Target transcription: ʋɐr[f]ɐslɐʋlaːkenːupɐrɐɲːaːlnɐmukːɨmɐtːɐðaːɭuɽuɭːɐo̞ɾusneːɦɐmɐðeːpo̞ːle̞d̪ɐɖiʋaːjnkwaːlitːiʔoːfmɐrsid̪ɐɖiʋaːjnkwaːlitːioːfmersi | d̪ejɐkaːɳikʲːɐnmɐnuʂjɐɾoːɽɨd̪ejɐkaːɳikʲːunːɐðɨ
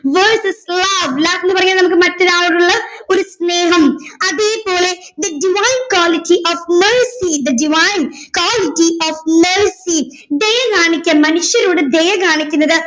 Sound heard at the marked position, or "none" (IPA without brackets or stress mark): s